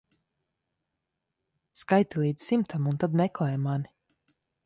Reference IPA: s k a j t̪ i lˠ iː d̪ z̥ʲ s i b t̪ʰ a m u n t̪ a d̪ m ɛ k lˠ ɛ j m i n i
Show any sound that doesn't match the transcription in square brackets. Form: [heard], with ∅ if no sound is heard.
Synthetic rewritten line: s k a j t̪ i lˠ iː d̪ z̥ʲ s i [m] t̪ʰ a m u n t̪ a d̪ m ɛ k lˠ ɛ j m [a] n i